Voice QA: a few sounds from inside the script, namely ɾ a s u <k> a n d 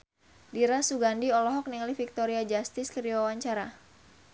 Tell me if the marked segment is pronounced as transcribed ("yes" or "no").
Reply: no